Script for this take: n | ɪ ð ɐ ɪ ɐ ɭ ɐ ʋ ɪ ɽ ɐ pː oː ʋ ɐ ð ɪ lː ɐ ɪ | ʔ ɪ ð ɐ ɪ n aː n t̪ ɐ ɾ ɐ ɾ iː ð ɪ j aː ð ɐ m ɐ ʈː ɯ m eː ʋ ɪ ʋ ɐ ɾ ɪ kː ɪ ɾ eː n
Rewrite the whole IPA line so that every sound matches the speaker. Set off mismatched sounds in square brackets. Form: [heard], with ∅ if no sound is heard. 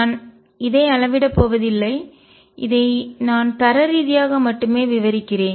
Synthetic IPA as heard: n | ɪ ð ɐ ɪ ɐ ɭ ɐ ʋ ɪ ɽ ɐ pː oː ʋ ɐ ð ɪ lː ɐ ɪ | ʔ ɪ ð ɐ ɪ n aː n t̪ ɐ ɾ ɐ ɾ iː ð ɪ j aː [ɣ] ɐ m ɐ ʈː ɯ m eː ʋ ɪ ʋ ɐ ɾ ɪ kː ɪ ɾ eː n